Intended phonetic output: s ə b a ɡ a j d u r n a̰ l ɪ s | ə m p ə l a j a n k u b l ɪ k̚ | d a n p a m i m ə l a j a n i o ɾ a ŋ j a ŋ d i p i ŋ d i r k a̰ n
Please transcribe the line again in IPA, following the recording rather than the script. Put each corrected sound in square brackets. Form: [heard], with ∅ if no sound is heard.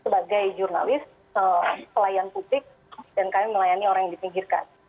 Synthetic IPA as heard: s ə b a ɡ a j [d͡ʒ] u r n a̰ l ɪ s | ə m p ə l a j a n [p] u b l ɪ k̚ | d a n [k] a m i m ə l a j a n i o ɾ a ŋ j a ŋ d i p i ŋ [ɡ] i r k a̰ n